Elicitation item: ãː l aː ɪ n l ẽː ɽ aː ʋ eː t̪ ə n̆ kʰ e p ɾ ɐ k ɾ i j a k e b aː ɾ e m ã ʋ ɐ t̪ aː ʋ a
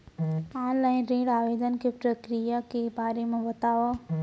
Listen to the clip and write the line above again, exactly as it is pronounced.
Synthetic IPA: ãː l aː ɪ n ɾ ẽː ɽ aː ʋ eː d̪ ə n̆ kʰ e p ɾ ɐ k ɾ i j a k e b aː ɾ e m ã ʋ ɐ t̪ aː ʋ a